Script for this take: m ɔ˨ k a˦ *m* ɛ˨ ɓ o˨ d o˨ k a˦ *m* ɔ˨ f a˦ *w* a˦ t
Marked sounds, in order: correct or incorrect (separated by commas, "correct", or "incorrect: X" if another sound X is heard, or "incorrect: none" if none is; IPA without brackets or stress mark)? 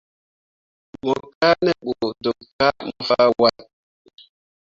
incorrect: n, correct, correct